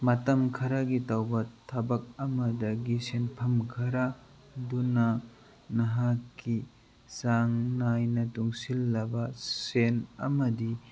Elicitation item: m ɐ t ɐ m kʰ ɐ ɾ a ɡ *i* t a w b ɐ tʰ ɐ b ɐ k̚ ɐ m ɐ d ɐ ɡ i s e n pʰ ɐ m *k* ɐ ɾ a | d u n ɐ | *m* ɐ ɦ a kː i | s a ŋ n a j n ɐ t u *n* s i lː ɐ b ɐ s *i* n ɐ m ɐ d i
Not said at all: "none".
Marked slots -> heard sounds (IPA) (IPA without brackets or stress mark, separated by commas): i, kʰ, n, ŋ, e